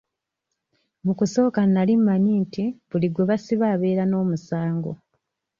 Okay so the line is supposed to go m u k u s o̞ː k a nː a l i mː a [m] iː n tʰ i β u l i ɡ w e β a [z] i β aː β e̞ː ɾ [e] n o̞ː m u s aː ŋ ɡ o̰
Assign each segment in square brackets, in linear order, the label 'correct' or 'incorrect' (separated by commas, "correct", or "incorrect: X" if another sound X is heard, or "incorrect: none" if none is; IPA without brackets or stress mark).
incorrect: ɲ, incorrect: s, incorrect: a